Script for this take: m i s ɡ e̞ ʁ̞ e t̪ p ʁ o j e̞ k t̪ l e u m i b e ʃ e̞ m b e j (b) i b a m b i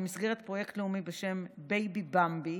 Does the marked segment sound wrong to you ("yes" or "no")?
no